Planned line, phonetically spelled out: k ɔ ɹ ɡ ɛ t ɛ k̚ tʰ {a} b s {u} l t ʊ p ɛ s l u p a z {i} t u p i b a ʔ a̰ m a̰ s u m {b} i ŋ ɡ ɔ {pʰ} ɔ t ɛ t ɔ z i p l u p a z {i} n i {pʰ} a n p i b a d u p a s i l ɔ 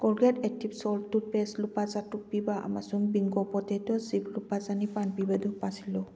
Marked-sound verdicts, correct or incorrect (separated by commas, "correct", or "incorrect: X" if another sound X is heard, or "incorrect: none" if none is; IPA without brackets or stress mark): incorrect: i, incorrect: ɔ, incorrect: a, correct, incorrect: p, incorrect: a, incorrect: p